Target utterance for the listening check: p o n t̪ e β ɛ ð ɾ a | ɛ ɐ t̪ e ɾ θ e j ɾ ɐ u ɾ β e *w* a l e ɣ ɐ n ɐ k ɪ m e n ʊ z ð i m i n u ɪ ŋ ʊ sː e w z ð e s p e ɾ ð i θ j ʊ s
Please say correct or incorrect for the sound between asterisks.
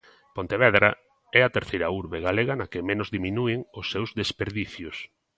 incorrect